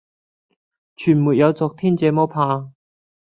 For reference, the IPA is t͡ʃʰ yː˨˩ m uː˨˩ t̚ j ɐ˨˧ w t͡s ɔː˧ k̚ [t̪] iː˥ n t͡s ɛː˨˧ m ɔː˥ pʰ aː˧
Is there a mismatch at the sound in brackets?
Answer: yes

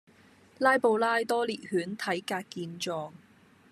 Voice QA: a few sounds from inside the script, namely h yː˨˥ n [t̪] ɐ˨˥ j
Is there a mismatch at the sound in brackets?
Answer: yes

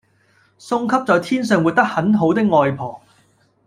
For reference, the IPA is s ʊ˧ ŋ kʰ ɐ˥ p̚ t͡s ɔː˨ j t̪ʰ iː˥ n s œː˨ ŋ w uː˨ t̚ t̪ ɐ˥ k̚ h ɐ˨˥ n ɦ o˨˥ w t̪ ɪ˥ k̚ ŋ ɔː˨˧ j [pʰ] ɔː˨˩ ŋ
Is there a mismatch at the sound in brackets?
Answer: no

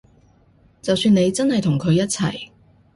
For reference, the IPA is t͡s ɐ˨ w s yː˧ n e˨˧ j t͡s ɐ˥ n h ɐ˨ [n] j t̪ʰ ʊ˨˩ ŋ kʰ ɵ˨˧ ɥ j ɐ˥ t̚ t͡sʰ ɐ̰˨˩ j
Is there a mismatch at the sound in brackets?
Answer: yes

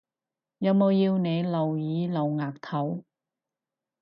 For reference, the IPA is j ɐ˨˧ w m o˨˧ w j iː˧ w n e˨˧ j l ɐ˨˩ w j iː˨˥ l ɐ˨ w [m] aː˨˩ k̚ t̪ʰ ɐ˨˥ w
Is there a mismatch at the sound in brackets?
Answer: yes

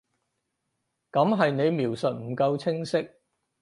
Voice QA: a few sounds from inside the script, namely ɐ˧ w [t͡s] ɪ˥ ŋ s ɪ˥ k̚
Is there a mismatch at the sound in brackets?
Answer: yes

